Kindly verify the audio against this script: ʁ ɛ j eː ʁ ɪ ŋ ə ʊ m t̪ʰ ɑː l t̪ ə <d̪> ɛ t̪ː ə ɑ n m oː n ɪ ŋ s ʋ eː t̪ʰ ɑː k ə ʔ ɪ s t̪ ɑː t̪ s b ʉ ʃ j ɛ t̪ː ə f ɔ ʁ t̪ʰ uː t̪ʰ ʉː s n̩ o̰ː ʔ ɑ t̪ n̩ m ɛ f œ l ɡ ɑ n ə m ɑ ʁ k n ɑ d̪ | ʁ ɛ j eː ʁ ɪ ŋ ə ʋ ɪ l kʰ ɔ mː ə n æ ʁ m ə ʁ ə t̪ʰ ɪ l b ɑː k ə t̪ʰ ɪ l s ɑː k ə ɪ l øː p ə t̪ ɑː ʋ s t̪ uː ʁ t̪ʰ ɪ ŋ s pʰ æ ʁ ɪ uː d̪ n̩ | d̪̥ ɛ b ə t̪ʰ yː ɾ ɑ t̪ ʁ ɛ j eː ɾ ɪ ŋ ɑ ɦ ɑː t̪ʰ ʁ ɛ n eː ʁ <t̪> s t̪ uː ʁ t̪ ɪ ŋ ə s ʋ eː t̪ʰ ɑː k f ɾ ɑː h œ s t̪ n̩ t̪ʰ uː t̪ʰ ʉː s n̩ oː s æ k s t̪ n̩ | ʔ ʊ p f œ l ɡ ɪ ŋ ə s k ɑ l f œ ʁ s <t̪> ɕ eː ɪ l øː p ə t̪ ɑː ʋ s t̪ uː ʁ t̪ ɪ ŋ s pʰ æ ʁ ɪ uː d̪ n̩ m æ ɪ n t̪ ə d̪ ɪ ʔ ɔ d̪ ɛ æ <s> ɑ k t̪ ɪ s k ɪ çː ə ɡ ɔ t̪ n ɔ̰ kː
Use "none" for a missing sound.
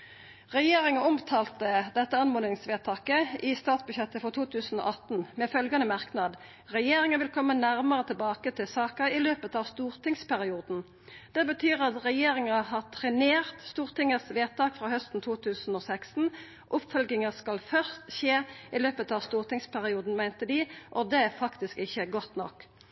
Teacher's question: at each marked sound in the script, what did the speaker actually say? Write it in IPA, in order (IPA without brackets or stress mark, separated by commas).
d̪, t̪, t̪, f